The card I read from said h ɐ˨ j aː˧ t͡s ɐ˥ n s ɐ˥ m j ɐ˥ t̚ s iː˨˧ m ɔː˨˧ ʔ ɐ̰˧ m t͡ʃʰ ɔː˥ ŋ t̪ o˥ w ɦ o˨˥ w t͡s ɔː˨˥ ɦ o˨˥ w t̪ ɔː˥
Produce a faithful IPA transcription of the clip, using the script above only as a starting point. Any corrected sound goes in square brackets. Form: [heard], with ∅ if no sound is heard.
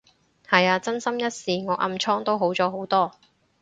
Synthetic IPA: h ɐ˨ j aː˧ t͡s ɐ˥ n s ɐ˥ m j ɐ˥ t̚ s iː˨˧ [ŋ] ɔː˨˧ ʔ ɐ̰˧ m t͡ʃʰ ɔː˥ ŋ t̪ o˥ w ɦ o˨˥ w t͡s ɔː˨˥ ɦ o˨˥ w t̪ ɔː˥